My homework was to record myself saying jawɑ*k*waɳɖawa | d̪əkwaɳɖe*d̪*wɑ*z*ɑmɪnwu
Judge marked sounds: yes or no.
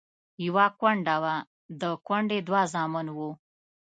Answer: yes, yes, yes

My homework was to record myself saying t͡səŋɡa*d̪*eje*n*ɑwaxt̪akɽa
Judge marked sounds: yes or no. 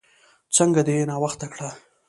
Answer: yes, yes

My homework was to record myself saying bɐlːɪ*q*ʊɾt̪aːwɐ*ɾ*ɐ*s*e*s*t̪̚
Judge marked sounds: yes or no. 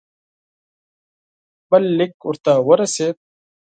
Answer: no, yes, yes, no

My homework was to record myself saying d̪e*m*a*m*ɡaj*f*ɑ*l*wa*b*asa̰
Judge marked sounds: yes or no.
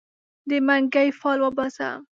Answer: yes, no, yes, yes, yes

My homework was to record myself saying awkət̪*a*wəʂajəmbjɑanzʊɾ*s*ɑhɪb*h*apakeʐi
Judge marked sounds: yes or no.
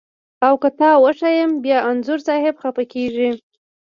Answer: no, yes, no

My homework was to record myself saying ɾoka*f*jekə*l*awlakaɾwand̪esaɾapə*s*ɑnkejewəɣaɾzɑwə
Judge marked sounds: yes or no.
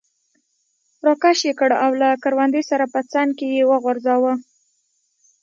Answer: no, no, no

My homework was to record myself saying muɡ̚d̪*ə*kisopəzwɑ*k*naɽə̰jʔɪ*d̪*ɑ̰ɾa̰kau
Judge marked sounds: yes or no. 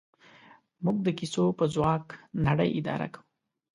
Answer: yes, yes, yes

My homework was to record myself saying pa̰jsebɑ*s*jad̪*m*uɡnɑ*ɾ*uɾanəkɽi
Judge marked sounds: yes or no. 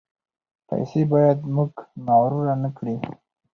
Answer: no, yes, yes

